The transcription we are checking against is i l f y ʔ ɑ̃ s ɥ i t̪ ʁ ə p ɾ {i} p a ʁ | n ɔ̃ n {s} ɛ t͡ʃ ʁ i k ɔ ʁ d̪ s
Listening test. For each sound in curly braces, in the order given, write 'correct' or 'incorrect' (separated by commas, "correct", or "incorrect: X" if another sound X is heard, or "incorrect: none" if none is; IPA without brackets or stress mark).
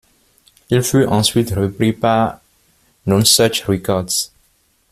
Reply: correct, correct